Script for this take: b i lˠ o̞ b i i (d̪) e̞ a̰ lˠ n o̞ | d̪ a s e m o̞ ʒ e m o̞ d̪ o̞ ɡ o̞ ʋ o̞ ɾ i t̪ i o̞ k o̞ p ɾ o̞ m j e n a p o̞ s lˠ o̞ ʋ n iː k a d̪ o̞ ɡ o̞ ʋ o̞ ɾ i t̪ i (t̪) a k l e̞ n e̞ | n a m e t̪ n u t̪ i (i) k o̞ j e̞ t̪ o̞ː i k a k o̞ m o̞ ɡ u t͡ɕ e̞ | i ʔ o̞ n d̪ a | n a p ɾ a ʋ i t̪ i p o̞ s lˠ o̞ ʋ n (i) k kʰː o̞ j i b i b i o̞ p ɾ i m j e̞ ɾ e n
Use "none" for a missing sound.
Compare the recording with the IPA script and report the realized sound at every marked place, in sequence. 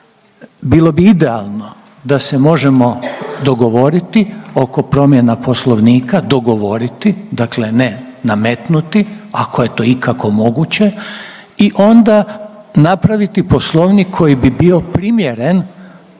d̪, d̪, a, i

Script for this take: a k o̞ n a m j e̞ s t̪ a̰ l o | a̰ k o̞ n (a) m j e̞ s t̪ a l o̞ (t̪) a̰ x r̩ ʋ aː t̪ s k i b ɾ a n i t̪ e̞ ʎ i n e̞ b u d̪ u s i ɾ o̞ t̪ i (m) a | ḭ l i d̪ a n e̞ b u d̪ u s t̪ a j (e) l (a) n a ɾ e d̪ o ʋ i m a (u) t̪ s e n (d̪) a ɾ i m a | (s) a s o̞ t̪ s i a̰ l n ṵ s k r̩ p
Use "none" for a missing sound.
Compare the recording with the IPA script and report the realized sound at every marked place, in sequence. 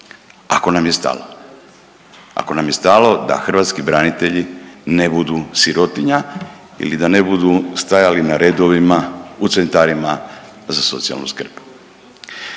a, d̪, ɲ, a, i, u, t̪, z

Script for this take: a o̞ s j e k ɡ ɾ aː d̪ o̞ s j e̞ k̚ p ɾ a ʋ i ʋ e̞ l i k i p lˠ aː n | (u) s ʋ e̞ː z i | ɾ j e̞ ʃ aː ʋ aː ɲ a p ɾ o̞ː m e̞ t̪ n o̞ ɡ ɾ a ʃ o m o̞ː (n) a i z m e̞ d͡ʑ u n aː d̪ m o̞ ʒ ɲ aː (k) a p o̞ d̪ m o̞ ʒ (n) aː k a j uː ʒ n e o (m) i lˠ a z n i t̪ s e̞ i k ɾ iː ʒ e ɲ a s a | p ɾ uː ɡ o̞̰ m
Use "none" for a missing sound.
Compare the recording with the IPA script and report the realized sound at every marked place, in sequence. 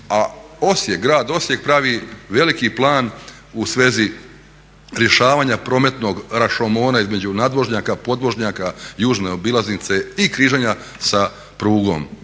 u, n, k, ɲ, b

